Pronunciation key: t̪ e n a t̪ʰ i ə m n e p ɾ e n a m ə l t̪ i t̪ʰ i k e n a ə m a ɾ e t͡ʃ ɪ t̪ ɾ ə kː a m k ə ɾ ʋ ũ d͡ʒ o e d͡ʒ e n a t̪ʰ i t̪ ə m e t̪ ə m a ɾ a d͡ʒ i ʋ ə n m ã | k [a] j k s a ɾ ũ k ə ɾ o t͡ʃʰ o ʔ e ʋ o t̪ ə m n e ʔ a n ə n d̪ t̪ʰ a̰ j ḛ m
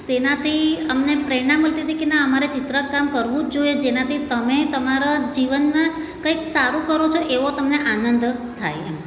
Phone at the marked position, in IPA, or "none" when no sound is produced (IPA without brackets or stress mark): ə